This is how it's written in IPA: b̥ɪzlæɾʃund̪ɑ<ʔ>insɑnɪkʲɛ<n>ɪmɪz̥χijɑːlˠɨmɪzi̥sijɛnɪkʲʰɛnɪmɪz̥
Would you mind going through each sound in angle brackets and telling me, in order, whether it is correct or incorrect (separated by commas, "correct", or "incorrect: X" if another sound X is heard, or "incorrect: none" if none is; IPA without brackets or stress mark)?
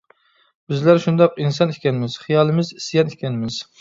incorrect: q, correct